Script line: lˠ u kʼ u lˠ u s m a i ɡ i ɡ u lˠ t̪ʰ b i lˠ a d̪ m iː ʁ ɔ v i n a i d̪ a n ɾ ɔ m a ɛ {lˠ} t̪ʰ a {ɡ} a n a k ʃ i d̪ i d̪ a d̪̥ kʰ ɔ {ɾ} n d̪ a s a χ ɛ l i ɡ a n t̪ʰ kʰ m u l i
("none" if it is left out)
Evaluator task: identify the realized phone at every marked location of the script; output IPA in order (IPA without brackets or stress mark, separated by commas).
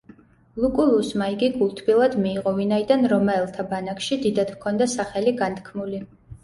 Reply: lˠ, b, none